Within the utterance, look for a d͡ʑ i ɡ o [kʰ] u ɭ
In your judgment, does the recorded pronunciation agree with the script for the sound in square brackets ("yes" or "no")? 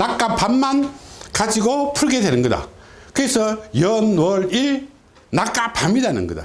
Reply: no